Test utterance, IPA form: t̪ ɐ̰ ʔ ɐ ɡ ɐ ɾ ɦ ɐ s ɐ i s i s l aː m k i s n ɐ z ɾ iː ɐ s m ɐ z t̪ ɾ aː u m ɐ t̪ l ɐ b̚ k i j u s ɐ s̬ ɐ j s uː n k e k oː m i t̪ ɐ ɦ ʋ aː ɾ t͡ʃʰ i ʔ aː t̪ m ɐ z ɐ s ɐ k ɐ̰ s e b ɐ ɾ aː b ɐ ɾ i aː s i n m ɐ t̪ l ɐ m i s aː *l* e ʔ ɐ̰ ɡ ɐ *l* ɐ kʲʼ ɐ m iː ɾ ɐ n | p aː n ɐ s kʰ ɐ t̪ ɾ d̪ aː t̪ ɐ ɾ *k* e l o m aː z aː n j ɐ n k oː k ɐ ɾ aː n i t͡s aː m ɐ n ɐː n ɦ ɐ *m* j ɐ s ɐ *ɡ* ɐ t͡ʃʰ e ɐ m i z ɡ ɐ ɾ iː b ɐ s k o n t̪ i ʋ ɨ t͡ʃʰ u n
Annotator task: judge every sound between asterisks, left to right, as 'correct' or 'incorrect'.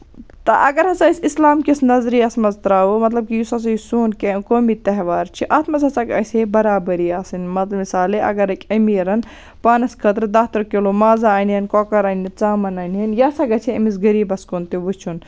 correct, incorrect, correct, incorrect, correct

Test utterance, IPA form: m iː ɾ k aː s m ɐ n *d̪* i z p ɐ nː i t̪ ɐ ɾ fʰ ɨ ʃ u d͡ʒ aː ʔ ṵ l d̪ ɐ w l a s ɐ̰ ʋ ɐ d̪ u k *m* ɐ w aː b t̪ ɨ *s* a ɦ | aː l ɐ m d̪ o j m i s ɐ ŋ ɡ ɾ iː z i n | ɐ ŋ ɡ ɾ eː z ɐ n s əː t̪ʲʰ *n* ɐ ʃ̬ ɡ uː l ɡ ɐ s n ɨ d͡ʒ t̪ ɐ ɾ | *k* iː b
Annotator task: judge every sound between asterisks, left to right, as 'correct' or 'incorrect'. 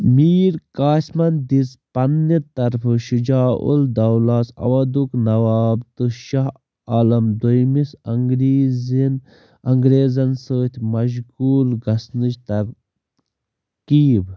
correct, incorrect, incorrect, incorrect, correct

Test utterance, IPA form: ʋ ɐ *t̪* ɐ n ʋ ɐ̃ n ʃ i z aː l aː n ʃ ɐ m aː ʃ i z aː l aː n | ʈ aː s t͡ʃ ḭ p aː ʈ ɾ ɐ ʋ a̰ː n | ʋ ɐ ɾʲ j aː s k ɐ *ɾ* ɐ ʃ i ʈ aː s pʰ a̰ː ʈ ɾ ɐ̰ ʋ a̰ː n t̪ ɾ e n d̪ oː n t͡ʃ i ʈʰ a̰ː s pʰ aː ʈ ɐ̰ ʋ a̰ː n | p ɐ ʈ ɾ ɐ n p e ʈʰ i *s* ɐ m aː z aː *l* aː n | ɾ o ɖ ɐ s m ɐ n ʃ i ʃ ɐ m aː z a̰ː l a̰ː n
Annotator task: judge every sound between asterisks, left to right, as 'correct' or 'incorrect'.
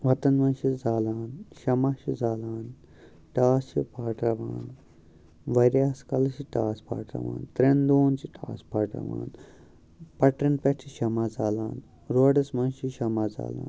correct, incorrect, incorrect, correct

